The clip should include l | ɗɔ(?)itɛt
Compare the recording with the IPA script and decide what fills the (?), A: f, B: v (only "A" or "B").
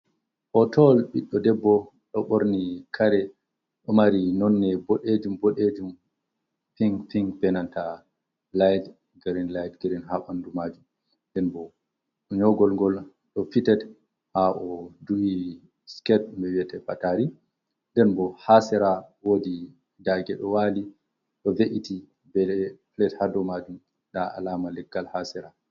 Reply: A